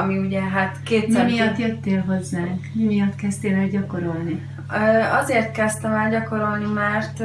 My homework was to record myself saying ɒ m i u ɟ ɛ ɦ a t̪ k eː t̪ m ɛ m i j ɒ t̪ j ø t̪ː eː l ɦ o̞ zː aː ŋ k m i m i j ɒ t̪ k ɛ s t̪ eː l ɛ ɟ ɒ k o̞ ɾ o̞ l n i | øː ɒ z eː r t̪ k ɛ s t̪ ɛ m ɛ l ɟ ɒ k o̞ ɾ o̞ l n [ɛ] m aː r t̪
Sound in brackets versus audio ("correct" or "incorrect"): incorrect